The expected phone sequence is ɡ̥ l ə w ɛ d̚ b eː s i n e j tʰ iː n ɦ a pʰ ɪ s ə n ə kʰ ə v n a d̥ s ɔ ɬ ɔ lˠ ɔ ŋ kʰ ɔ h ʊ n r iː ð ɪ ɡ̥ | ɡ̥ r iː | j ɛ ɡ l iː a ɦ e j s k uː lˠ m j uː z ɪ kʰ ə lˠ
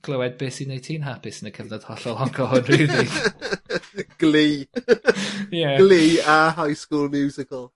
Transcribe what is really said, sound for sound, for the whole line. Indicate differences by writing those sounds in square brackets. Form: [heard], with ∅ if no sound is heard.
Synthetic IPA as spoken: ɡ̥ l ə w ɛ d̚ b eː s i n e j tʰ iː n ɦ a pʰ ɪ s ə n ə kʰ ə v n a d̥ [h] ɔ ɬ ɔ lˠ ɔ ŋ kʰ ɔ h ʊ n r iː ð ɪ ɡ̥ | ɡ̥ [l] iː | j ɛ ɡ l iː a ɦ [a] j s k uː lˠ m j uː z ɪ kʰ ə lˠ